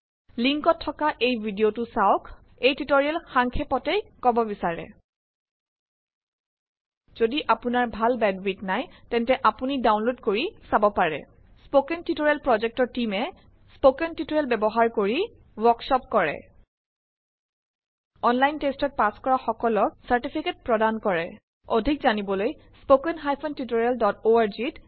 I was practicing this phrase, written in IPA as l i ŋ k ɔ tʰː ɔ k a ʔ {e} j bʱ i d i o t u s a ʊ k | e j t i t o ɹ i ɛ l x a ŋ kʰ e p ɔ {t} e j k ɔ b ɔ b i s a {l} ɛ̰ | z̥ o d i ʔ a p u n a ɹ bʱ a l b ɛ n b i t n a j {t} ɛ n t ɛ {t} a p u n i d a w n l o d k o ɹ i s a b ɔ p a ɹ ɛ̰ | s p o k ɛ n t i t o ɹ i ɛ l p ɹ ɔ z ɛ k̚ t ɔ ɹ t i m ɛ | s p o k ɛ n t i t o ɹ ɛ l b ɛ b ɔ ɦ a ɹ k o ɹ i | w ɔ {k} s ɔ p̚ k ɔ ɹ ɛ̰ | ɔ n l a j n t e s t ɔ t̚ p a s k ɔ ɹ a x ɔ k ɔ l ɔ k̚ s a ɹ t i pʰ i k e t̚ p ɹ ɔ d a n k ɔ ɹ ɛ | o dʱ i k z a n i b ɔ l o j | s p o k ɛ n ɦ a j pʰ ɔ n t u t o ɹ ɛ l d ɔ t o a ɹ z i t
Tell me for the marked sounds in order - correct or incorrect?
correct, correct, incorrect, correct, incorrect, correct

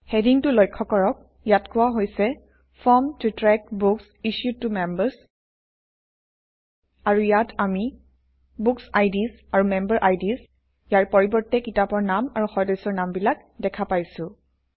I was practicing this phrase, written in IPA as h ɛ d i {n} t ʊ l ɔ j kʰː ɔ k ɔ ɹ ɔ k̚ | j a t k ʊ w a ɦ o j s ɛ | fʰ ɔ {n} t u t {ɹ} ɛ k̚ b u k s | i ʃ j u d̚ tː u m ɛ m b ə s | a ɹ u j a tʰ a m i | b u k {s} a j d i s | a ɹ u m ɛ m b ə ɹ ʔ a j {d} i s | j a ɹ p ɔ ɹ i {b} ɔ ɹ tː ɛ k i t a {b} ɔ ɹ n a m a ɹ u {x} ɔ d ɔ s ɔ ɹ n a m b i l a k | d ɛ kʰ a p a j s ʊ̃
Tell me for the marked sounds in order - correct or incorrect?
incorrect, incorrect, correct, correct, correct, correct, incorrect, correct

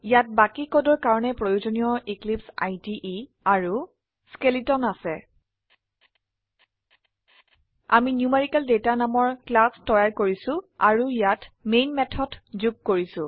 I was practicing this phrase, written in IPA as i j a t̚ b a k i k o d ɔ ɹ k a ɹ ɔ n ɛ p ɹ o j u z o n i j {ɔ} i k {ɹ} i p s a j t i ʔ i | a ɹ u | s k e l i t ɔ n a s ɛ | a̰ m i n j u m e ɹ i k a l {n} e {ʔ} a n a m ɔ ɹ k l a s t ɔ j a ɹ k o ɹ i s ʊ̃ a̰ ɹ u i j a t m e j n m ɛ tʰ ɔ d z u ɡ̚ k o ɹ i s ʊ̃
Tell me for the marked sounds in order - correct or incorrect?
correct, incorrect, incorrect, incorrect

